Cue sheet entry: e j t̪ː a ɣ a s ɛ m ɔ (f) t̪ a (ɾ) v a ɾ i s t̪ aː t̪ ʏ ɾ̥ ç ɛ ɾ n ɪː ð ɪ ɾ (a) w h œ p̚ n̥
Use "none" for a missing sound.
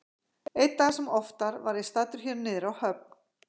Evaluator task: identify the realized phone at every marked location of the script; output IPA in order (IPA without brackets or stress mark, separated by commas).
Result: f, ɾ, a